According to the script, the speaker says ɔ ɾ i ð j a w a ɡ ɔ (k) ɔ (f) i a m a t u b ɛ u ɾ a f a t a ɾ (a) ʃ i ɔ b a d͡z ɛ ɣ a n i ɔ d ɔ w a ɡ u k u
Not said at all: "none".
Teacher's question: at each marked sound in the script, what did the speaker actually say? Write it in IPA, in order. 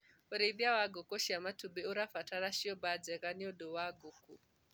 k, ʃ, a

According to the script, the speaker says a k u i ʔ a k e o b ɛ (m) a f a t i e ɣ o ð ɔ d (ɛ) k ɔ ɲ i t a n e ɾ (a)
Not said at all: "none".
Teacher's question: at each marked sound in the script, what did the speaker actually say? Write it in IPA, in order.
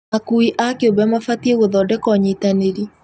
m, ɛ, i

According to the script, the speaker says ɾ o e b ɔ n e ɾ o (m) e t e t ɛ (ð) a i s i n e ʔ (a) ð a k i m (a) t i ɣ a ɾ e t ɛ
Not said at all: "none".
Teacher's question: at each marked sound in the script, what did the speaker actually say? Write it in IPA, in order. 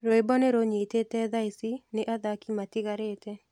ɲ, ð, a, a

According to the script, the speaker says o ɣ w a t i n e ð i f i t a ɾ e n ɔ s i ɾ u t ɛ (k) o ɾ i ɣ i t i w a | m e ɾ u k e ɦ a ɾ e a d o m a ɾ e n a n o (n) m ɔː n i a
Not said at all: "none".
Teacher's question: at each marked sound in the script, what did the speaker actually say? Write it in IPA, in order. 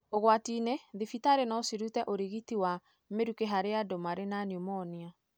ʔ, none

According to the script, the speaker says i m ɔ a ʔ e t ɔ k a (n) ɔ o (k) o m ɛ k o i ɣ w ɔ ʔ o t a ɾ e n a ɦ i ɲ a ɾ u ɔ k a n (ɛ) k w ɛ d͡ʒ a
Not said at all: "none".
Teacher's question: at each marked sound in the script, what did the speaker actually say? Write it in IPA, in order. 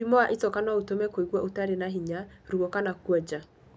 n, t, a

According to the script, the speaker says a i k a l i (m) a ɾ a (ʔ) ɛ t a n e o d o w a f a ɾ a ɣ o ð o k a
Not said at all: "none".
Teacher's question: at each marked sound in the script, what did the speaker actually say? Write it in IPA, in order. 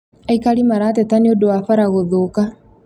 m, t

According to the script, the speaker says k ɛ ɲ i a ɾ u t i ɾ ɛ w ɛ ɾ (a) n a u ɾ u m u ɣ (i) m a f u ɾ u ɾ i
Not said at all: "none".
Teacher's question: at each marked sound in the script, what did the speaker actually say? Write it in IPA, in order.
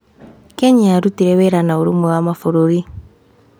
a, a

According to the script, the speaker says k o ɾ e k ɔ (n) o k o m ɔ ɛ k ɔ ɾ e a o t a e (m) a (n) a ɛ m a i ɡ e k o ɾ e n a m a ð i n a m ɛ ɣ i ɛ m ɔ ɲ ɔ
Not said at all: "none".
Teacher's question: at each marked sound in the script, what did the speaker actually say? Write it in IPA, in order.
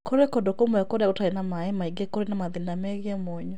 d, n, m

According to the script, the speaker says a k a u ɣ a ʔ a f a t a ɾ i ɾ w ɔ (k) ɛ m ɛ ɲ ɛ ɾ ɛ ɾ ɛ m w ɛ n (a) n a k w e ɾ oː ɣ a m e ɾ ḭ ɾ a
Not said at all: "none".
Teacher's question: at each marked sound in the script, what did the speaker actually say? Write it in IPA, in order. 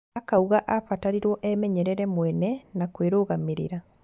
ʔ, ɛ

